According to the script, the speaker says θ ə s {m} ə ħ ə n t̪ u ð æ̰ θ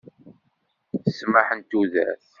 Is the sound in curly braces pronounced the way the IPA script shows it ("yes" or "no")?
yes